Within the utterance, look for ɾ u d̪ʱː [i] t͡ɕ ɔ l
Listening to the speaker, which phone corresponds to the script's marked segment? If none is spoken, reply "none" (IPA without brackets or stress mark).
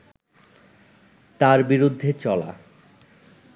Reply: e